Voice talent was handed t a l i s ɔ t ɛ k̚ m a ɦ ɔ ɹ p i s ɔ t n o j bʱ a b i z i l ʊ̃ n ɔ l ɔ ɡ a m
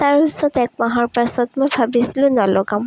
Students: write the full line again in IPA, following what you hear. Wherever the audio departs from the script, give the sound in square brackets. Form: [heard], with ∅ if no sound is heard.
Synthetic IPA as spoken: t a [ɹ] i s ɔ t ɛ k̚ m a ɦ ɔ ɹ p [a] s ɔ t [m] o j bʱ a b i [s] i l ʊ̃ n ɔ l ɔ ɡ a m